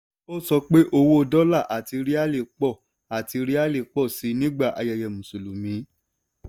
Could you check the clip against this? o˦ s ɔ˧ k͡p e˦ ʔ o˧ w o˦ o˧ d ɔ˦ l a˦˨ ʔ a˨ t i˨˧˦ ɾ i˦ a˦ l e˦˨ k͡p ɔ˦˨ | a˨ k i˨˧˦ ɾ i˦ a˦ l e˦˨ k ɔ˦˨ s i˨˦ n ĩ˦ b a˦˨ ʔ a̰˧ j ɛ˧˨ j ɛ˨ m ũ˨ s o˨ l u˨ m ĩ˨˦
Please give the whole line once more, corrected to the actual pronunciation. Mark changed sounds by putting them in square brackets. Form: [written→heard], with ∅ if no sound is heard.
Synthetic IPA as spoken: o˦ s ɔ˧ k͡p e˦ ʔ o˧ w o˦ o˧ d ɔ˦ l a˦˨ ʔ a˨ t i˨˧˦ ɾ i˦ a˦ l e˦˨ k͡p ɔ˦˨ | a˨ [k→t] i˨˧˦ ɾ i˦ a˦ l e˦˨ [k→k͡p] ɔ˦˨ s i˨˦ n ĩ˦ [b→ɡ͡b] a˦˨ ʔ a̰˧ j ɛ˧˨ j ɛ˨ m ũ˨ s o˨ l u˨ m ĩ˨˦